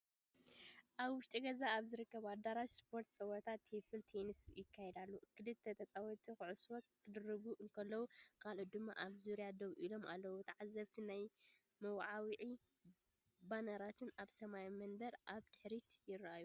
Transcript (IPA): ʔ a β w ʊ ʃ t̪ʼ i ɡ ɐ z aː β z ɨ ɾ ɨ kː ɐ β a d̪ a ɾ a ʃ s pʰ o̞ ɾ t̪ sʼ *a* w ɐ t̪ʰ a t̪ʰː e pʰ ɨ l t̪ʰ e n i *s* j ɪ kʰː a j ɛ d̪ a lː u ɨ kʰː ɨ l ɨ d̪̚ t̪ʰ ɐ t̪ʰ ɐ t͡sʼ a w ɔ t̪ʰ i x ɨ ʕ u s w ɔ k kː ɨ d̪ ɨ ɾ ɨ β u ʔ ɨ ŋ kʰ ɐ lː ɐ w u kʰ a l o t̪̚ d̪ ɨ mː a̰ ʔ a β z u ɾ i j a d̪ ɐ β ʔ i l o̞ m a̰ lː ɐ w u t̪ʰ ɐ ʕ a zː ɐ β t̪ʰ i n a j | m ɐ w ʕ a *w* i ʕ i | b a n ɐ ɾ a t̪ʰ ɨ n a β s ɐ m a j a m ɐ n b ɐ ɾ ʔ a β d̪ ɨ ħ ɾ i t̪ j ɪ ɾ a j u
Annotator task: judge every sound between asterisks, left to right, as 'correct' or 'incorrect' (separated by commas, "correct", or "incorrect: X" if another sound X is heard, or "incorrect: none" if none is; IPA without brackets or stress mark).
incorrect: ɐ, correct, correct